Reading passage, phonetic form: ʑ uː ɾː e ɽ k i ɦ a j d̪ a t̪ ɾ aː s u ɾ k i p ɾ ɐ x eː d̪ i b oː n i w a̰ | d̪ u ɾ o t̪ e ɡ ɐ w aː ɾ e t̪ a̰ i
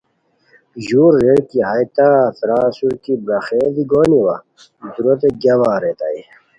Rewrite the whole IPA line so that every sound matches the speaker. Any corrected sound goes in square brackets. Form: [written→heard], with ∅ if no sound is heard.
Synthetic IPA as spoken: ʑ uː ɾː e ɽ k i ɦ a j [d̪→t̪] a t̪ ɾ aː s u ɾ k i [p→b] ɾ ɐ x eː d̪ i [b→ɡ] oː n i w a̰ | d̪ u ɾ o t̪ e ɡ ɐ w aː ɾ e t̪ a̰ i